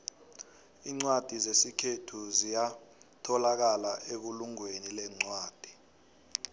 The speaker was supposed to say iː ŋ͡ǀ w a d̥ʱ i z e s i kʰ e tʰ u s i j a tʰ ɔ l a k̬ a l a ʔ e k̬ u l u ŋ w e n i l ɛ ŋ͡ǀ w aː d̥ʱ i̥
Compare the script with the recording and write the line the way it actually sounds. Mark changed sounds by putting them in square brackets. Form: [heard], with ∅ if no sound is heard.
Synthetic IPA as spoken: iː ŋ͡ǀ w a d̥ʱ i z e s i kʰ e tʰ u [z] i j a tʰ ɔ l a k̬ a l a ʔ e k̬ u l u ŋ w e n i l ɛ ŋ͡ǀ w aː d̥ʱ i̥